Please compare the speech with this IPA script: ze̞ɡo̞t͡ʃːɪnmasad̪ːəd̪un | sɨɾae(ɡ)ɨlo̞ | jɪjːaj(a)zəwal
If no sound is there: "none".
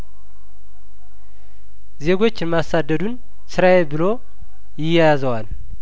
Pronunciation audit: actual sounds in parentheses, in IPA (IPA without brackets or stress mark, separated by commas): b, a